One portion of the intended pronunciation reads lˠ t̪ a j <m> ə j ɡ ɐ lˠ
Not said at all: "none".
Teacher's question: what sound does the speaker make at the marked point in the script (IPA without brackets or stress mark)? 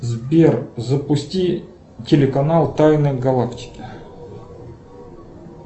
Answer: n